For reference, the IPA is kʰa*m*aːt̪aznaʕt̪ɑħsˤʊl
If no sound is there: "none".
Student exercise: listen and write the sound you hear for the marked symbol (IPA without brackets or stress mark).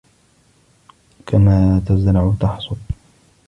m